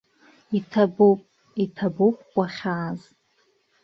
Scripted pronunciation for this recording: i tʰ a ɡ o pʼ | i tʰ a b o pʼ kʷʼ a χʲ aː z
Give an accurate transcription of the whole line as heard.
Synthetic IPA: i tʰ a b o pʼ | i tʰ a b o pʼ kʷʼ a χʲ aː z